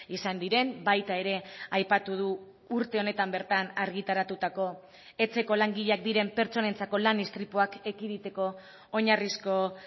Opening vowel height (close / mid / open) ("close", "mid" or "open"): close